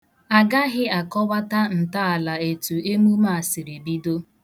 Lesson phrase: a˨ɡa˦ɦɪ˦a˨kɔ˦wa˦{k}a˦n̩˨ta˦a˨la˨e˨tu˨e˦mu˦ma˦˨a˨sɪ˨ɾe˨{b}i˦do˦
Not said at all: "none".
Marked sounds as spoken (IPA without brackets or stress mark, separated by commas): t, b